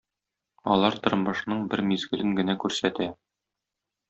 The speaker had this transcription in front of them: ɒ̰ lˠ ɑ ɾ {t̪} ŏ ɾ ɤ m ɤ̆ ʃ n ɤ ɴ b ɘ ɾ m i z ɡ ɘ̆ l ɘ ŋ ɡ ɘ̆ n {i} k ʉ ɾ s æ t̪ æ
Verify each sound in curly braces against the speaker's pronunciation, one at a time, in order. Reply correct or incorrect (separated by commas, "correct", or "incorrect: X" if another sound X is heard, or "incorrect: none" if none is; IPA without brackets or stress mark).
correct, incorrect: æ